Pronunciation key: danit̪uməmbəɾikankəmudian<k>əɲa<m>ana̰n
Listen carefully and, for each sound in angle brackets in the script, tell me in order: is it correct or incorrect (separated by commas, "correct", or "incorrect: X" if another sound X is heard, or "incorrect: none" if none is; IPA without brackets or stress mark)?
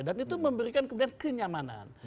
correct, correct